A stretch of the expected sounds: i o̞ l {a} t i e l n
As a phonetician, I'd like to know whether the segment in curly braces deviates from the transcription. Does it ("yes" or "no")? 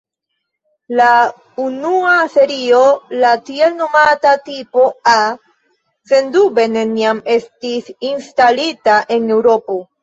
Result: no